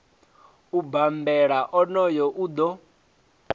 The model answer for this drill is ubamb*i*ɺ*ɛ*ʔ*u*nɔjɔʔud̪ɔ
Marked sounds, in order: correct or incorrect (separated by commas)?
incorrect, incorrect, incorrect